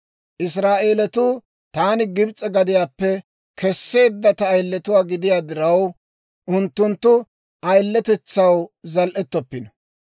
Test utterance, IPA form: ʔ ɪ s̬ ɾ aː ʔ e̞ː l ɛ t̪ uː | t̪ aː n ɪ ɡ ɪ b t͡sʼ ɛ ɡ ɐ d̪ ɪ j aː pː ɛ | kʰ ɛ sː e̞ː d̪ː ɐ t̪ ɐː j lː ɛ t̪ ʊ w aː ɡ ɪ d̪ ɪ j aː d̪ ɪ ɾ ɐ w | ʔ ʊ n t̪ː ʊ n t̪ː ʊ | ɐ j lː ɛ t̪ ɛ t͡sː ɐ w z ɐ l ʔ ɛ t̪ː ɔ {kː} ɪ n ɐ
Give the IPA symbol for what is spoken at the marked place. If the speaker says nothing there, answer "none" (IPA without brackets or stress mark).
pː